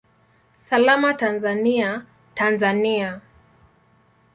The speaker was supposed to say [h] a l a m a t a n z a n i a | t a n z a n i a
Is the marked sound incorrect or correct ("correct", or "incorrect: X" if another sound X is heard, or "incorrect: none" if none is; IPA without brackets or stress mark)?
incorrect: s